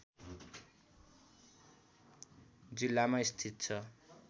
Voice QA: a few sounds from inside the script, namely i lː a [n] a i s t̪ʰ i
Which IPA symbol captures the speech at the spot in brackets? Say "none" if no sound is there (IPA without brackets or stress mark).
m